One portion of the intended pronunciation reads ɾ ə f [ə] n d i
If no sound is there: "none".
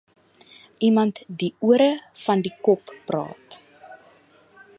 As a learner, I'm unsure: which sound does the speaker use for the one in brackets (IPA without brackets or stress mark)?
ɐ